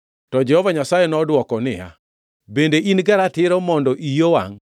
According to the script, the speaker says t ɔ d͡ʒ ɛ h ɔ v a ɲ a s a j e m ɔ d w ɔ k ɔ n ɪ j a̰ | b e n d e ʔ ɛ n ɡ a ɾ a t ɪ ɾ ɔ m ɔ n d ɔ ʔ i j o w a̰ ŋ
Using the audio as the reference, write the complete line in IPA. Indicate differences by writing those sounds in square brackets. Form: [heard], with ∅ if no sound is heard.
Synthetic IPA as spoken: t ɔ d͡ʒ ɛ h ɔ v a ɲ a s a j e [n] ɔ d w ɔ k ɔ n ɪ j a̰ | b e n d e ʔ [i] n ɡ a ɾ a t ɪ ɾ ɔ m ɔ n d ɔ ʔ i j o w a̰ ŋ